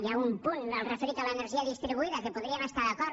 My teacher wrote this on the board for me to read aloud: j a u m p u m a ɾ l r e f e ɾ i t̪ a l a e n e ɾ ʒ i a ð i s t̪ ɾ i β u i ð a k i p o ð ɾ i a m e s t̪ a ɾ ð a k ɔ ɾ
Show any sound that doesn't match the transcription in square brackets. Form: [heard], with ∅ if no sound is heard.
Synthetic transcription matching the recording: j a u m p u [n] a [∅] l r e f e ɾ i t̪ a l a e n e ɾ ʒ i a ð i s t̪ ɾ i β u i ð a k [e] p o ð ɾ i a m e s t̪ a ɾ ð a k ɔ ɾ